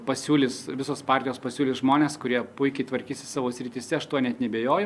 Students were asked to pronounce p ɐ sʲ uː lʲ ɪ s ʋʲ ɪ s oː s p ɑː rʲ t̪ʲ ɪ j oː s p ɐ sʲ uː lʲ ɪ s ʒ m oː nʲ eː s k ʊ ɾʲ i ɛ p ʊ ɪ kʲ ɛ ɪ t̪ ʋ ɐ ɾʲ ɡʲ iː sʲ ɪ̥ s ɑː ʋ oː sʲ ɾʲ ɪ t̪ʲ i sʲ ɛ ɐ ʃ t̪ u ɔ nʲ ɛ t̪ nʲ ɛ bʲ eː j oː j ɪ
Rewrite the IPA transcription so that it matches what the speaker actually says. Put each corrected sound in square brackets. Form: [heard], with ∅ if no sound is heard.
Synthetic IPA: p ɐ sʲ uː lʲ ɪ s ʋʲ ɪ s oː s p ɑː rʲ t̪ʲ ɪ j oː s p ɐ sʲ uː lʲ ɪ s ʒ m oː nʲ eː s k ʊ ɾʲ i ɛ p ʊ ɪ kʲ ɛ ɪ t̪ ʋ ɐ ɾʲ [kʲ] iː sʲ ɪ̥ s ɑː ʋ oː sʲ ɾʲ ɪ t̪ʲ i sʲ ɛ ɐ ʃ t̪ u ɔ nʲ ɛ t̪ nʲ ɛ bʲ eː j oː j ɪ